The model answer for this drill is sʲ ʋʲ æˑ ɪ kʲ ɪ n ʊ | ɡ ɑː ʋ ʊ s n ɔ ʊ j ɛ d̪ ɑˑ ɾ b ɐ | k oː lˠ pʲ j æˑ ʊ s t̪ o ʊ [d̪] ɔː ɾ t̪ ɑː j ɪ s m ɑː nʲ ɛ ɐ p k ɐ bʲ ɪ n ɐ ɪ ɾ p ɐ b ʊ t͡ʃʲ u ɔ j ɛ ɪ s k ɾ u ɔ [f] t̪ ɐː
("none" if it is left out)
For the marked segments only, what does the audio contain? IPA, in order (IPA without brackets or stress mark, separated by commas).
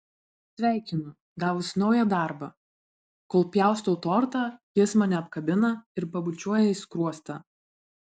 t̪, s